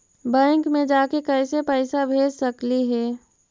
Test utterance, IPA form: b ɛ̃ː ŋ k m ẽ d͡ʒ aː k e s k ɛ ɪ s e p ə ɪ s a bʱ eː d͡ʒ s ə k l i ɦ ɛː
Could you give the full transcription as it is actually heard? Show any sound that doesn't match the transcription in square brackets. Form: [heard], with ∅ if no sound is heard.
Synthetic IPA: b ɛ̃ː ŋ k m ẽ d͡ʒ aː k e [∅] k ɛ ɪ s e p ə ɪ s a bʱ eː d͡ʒ s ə k l i ɦ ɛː